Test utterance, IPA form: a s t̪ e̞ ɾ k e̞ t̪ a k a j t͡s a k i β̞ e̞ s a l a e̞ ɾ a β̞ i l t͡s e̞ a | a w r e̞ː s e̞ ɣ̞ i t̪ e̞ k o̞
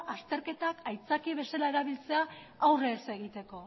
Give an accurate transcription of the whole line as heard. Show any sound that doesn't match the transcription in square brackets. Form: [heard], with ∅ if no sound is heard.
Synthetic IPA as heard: a s t̪ e̞ ɾ k e̞ t̪ a k a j t͡s a k i β̞ e̞ s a l a e̞ ɾ a β̞ i l t͡s e̞ a | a w r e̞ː s e̞ ɣ̞ i t̪ e̞ k o̞